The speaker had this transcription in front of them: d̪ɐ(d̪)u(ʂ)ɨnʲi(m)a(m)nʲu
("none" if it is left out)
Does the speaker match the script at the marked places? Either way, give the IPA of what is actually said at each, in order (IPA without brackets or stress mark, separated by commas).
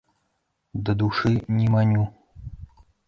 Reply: d̪, ʂ, m, none